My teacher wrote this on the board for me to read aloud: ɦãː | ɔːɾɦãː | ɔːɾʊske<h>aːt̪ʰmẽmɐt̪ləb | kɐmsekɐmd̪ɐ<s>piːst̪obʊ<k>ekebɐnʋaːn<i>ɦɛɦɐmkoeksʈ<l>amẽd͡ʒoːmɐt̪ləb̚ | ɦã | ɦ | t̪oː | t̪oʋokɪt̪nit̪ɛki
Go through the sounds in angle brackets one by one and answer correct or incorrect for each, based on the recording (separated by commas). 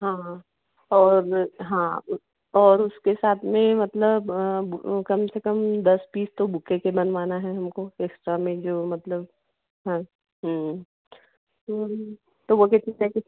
incorrect, correct, correct, incorrect, incorrect